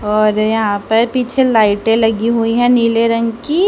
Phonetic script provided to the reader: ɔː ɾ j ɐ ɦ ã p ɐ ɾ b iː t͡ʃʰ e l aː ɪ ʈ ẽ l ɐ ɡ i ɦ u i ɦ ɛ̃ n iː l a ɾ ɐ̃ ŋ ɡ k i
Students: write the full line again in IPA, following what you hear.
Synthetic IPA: ɔː ɾ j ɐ ɦ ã p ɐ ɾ p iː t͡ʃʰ e l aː ɪ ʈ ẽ l ɐ ɡ i ɦ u i ɦ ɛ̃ n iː l e ɾ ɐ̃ ŋ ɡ k i